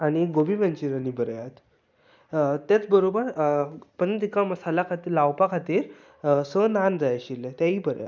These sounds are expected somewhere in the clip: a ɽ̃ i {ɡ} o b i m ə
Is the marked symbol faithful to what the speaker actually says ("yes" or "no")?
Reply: yes